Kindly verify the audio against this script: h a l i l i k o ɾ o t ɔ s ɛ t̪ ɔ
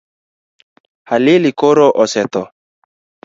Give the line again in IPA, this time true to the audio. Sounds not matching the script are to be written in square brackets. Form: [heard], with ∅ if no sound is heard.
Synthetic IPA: h a l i l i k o ɾ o [ʔ] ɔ s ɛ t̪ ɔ